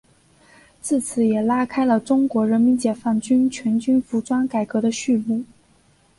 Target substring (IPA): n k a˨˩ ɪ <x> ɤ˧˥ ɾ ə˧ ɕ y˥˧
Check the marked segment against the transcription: incorrect: k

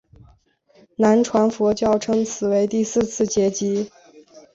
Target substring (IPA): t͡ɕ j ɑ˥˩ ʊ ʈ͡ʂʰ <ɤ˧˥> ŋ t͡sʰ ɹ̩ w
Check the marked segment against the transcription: incorrect: ɤ˥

